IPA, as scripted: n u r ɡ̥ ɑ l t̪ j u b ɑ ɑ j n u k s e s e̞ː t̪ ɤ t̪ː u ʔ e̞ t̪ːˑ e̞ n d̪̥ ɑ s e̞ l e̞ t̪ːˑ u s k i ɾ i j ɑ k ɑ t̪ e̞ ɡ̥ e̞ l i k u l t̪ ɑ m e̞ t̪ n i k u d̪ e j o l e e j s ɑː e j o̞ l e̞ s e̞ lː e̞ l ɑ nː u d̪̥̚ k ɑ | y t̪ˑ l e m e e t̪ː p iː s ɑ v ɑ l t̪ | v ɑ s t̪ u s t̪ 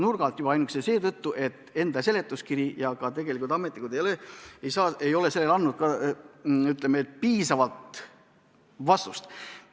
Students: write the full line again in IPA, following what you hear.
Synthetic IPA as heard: n u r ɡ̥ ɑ l t̪ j u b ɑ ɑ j n u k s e s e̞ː t̪ ɤ t̪ː u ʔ e̞ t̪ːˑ e̞ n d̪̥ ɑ s e̞ l e̞ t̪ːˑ u s k i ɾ i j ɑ k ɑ t̪ e̞ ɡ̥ e̞ l i k u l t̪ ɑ m e̞ t̪ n i k u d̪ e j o l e e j s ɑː e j o̞ l e̞ s e̞ lː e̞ l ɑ nː u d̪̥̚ k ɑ | y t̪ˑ l e m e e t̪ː p iː s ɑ v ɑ l t̪ | v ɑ s t̪ u s t̪